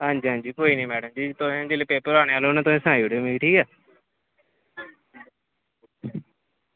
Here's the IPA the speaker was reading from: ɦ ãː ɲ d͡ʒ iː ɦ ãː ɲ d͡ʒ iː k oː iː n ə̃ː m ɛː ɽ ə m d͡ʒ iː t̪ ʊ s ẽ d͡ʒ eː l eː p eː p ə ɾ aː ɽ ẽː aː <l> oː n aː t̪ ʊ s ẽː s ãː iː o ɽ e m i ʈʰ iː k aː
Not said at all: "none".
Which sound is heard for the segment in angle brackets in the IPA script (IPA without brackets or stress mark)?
l